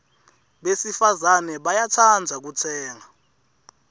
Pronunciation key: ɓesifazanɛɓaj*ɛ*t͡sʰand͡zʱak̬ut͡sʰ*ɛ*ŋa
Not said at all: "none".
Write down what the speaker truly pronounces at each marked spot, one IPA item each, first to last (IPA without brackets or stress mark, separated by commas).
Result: a, ɛː